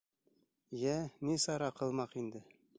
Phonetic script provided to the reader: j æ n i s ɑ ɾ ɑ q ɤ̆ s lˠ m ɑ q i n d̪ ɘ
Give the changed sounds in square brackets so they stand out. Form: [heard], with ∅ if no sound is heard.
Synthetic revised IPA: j æ n i s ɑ ɾ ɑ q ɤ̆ [∅] lˠ m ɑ q i n d̪ ɘ